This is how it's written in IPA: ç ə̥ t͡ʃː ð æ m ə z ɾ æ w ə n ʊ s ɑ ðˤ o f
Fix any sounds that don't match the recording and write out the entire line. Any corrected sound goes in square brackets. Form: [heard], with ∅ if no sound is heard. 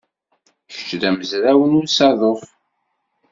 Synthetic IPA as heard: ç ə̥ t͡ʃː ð æ m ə z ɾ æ w ə n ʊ s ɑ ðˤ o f